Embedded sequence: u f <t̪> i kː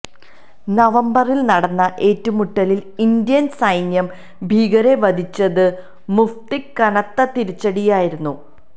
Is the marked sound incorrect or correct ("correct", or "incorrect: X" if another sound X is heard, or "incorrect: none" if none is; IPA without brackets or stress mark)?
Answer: correct